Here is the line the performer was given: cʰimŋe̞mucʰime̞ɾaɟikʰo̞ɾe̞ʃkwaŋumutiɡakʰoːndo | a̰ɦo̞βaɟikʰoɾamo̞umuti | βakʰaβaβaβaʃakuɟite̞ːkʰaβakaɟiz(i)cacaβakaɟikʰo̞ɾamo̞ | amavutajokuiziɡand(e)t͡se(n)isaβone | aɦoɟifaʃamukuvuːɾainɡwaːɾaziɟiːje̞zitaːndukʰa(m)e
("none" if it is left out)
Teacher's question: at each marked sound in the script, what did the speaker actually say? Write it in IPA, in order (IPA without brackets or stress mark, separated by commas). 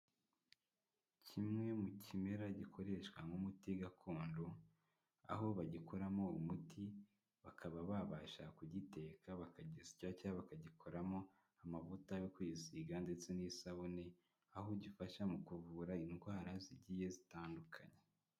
i, e, n, ɲ